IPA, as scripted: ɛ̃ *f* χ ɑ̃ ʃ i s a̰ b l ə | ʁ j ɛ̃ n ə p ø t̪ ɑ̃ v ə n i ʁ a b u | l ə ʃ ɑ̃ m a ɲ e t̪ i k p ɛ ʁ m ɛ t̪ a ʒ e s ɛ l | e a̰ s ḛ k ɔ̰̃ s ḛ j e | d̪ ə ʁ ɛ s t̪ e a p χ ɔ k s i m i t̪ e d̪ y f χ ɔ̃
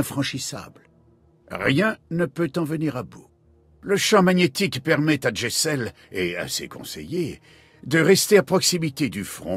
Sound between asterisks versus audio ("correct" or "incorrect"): correct